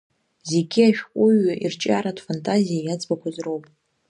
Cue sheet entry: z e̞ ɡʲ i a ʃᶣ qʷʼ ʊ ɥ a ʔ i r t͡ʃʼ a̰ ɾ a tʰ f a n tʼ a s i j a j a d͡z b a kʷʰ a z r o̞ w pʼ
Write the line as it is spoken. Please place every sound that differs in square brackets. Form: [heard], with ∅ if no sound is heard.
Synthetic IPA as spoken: z e̞ ɡʲ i a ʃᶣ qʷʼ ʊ ɥ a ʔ i r t͡ʃʼ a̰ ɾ a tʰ f a n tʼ a [z] i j a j a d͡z b a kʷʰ a z r o̞ w pʼ